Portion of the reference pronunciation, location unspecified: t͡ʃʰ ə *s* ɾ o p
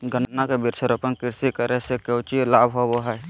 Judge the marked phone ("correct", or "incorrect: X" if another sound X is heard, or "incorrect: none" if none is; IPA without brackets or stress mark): incorrect: none